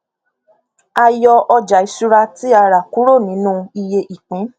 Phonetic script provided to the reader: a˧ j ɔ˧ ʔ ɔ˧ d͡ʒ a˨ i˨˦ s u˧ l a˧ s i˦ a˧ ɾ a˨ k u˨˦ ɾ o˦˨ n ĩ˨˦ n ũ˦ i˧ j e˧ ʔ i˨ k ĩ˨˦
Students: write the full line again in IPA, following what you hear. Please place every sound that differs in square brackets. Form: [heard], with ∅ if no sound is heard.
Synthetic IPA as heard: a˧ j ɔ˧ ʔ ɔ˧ d͡ʒ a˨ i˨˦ s u˧ [ɾ] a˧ [t] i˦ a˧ ɾ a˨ k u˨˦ ɾ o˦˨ n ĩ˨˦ n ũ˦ i˧ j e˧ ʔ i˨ [k͡p] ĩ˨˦